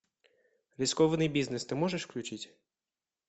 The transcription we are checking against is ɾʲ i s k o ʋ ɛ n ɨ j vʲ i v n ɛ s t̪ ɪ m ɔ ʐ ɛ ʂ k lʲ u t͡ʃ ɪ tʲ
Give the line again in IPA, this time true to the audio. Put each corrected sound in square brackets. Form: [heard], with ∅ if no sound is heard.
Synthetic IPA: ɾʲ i s k [ɔ] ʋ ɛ n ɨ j [bʲ] i [z] n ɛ s t̪ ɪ m ɔ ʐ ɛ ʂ k lʲ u t͡ʃ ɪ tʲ